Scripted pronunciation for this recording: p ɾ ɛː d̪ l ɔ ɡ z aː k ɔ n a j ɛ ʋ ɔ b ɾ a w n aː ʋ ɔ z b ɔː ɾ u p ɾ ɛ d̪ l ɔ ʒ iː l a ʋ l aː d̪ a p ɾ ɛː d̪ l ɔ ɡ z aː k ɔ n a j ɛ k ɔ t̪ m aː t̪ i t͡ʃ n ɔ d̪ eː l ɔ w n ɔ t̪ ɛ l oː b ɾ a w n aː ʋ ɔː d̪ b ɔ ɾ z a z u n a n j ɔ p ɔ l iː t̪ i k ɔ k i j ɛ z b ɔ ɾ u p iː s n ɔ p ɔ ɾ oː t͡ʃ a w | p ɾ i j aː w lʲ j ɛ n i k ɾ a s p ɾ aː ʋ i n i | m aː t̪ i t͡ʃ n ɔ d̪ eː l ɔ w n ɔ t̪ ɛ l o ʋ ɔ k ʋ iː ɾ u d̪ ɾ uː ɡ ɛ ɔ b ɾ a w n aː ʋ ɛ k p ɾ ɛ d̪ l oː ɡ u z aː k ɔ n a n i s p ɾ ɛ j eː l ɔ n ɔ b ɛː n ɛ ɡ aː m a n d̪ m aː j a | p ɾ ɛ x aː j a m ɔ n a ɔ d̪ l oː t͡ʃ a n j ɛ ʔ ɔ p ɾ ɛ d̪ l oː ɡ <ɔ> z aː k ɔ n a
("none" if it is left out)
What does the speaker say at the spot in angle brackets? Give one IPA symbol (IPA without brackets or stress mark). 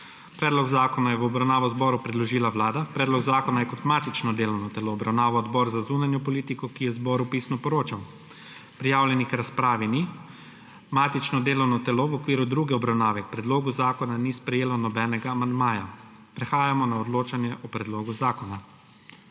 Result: u